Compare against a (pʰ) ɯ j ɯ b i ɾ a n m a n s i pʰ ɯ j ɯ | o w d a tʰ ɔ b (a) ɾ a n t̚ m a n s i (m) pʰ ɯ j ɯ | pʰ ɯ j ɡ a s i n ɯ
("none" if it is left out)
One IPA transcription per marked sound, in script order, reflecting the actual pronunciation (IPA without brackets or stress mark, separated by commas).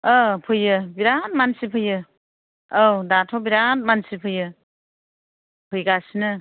pʰ, i, none